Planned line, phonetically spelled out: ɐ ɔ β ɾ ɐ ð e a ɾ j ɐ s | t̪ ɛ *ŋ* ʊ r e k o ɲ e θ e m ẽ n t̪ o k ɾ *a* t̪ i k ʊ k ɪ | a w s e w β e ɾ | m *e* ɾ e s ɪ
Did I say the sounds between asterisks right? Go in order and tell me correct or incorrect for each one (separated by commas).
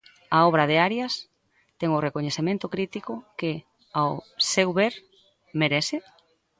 correct, incorrect, correct